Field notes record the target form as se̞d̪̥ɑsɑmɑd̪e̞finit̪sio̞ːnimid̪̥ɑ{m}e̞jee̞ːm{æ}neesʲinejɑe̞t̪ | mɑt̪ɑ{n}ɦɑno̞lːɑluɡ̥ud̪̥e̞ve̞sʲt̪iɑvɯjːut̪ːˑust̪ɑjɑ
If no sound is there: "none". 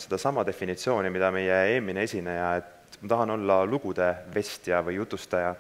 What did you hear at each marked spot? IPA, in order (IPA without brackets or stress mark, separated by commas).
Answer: m, i, none